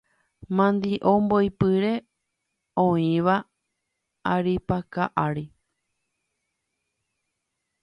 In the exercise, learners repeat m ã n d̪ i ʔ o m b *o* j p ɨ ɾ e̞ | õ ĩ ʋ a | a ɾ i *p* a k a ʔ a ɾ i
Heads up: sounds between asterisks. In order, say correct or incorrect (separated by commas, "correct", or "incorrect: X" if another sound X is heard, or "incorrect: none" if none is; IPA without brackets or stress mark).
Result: correct, correct